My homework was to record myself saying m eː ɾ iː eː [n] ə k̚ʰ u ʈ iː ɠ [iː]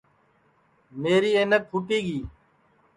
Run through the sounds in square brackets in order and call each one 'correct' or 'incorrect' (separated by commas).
correct, correct